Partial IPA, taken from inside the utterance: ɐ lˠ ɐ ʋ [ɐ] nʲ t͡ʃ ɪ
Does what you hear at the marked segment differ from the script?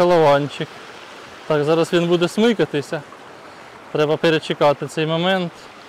yes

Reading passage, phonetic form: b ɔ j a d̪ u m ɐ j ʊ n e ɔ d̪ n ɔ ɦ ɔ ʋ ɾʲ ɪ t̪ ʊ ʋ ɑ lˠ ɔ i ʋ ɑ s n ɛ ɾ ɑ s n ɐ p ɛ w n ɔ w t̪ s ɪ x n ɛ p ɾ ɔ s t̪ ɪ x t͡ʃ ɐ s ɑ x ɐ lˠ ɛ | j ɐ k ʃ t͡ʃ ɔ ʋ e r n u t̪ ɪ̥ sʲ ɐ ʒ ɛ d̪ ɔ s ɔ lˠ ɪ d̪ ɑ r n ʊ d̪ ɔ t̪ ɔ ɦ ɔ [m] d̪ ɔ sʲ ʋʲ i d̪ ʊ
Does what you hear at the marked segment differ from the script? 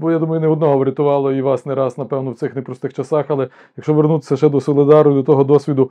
yes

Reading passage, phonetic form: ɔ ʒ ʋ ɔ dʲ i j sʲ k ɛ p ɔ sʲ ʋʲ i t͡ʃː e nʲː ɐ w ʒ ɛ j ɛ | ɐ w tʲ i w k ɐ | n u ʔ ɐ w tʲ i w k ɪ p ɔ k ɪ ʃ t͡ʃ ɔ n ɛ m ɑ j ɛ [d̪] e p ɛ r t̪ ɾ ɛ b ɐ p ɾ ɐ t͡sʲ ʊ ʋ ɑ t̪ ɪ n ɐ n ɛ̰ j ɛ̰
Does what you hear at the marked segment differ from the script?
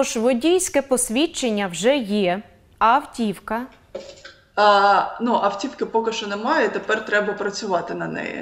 yes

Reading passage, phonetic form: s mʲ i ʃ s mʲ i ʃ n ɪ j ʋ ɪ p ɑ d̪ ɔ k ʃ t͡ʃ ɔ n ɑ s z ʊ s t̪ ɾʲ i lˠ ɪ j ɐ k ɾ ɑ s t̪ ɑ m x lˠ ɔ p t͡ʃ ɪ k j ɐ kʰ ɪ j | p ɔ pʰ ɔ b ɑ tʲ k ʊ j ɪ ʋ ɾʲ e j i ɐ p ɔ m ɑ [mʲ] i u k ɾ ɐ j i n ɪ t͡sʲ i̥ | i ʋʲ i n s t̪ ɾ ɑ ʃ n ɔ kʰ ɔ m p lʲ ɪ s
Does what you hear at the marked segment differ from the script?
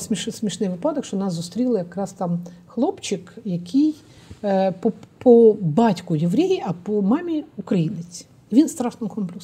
no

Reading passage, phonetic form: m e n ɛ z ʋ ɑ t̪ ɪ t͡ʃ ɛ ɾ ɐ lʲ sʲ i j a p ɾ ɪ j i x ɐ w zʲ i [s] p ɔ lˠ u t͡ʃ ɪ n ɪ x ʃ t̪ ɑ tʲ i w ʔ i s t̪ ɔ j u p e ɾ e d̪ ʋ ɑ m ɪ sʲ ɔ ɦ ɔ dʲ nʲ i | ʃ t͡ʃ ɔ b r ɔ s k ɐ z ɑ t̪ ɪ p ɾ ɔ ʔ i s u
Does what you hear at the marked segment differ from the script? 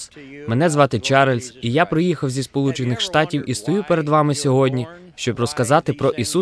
no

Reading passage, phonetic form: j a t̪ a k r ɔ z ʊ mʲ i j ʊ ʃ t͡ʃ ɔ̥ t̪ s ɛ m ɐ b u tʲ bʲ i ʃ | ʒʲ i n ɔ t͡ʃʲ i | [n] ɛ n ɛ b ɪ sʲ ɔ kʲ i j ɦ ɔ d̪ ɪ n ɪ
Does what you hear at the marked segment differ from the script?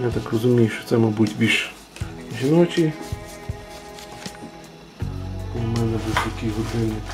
yes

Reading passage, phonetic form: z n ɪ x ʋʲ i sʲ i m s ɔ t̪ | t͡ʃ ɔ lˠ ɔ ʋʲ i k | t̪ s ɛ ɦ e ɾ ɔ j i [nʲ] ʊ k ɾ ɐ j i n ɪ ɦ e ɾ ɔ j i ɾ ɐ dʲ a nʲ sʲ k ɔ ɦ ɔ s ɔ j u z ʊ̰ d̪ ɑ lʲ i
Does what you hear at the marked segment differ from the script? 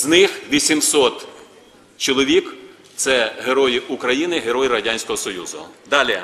yes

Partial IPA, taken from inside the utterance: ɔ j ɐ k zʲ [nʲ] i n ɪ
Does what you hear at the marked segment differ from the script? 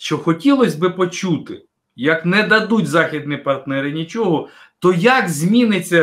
yes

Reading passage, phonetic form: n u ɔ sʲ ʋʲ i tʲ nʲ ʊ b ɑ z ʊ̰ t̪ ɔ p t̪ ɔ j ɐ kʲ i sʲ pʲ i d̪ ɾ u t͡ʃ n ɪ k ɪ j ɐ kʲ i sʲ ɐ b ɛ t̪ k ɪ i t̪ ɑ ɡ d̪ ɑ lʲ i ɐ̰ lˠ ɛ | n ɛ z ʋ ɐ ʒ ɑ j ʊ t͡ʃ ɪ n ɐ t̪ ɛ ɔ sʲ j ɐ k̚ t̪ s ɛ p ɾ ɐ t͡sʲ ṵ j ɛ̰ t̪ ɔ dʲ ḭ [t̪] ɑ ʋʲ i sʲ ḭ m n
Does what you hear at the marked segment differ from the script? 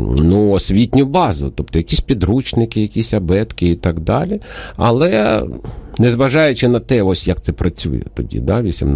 yes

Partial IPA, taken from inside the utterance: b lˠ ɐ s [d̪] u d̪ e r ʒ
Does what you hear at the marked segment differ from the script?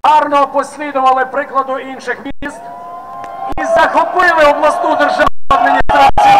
yes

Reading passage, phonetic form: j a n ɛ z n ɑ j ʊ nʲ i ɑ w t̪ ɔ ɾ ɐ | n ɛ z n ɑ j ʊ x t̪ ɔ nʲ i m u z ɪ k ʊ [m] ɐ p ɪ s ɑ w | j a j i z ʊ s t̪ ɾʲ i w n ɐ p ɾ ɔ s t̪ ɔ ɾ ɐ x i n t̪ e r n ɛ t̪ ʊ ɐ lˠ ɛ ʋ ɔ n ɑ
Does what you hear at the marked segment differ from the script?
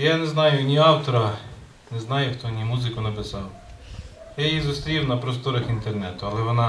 yes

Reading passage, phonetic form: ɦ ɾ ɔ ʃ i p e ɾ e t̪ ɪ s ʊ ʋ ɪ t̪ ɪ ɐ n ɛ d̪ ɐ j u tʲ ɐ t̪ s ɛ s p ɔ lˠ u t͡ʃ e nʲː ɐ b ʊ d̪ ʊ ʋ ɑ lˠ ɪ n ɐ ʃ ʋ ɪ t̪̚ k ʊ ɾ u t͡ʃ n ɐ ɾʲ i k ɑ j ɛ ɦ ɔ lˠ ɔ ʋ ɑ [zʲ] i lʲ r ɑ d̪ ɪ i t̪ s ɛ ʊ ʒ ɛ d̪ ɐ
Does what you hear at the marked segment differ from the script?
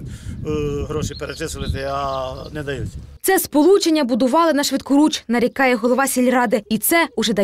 yes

